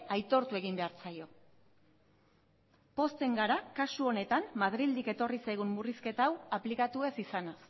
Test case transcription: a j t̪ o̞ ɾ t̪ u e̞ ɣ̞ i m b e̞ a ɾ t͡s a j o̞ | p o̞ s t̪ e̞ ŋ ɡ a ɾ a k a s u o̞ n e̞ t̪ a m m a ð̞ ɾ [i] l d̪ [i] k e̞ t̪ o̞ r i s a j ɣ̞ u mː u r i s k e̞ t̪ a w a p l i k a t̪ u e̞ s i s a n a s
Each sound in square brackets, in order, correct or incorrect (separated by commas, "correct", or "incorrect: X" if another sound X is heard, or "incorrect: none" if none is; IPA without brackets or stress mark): correct, correct